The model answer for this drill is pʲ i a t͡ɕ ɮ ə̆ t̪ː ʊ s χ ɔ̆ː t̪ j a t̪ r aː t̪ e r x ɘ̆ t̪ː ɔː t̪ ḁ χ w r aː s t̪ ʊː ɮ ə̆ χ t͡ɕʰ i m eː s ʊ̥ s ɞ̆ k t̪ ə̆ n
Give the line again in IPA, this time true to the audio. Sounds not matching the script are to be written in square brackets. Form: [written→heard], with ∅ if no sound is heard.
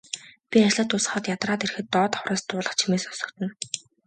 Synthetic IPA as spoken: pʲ i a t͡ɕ ɮ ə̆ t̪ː ʊ s χ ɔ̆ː t̪ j a t̪ r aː t̪ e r x ɘ̆ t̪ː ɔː t̪ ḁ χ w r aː s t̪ ʊː ɮ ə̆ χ t͡ɕʰ i m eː s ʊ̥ s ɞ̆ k t̪ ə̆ n